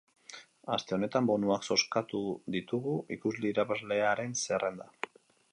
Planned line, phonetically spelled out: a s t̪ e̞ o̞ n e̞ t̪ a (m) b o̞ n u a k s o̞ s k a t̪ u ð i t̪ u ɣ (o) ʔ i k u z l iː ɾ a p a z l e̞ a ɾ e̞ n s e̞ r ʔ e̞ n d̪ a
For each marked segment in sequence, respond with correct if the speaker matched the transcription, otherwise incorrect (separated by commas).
correct, incorrect